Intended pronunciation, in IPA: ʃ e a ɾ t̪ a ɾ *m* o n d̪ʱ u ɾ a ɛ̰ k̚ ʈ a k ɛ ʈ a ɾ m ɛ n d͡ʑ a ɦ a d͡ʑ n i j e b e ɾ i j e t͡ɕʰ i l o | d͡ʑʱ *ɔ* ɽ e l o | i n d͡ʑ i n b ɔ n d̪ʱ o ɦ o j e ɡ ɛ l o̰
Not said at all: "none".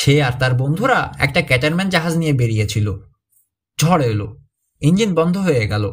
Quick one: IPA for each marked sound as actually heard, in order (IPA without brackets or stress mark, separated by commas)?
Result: b, ɔ